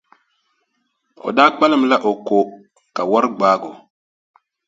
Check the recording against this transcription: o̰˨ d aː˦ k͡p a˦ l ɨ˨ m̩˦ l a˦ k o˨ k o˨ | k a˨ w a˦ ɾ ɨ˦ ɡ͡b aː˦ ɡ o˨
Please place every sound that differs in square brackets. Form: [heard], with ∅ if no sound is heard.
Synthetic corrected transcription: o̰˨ d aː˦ k͡p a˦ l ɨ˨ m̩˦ l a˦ [ʔ] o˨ k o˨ | k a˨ w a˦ ɾ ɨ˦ ɡ͡b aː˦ ɡ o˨